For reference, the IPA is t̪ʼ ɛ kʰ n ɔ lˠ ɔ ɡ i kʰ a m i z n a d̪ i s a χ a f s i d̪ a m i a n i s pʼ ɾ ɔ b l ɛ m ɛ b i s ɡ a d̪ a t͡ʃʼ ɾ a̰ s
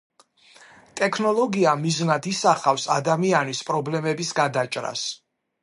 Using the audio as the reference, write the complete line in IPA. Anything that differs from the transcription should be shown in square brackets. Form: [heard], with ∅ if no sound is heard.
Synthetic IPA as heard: t̪ʼ ɛ kʰ n ɔ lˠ ɔ ɡ i [∅] a m i z n a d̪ i s a χ a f s [a] d̪ a m i a n i s pʼ ɾ ɔ b l ɛ m ɛ b i s ɡ a d̪ a t͡ʃʼ ɾ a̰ s